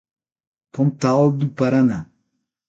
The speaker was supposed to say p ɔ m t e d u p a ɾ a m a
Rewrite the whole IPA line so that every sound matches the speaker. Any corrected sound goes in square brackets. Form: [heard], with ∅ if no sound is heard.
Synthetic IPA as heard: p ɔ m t [a] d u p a ɾ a [n] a